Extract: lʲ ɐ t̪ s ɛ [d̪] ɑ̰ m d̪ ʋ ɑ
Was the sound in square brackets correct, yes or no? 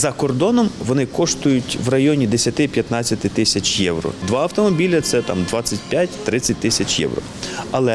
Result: no